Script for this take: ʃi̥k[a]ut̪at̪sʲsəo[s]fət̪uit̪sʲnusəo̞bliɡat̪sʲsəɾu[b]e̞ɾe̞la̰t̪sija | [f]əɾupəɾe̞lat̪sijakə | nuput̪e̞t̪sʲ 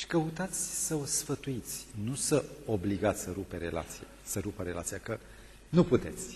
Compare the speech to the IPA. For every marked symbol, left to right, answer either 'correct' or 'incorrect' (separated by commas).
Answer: incorrect, correct, incorrect, incorrect